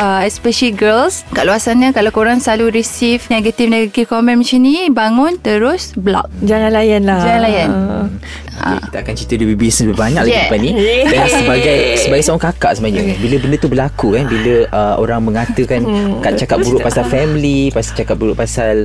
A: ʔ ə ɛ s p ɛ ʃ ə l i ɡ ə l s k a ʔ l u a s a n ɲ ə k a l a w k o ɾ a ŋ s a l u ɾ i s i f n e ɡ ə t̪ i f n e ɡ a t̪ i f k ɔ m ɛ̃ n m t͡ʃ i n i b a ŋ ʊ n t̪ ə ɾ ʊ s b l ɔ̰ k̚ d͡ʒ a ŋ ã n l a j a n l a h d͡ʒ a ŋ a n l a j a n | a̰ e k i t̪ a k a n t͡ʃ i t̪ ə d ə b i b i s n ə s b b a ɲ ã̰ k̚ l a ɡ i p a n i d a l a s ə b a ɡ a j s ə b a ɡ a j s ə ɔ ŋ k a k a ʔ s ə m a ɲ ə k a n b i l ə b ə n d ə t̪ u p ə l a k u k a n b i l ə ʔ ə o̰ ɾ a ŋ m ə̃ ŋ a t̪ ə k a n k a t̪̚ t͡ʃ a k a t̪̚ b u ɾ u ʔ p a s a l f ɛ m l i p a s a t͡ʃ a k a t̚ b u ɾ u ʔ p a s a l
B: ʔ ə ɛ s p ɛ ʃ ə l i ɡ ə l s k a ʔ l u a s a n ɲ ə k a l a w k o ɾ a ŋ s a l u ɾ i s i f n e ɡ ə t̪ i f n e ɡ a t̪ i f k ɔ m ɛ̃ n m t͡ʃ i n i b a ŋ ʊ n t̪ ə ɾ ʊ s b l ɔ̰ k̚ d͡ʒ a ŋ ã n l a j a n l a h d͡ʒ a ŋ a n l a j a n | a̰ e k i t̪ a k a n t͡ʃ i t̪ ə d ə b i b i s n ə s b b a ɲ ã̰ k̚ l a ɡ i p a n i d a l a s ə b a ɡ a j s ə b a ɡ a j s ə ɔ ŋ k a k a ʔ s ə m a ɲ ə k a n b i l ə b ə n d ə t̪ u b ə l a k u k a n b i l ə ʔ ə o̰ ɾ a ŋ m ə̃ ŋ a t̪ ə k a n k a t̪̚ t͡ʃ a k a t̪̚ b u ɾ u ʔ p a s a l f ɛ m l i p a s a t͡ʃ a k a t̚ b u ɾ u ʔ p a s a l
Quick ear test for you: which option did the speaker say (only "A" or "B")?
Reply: B